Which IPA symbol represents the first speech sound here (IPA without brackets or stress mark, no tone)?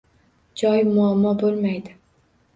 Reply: d͡ʒ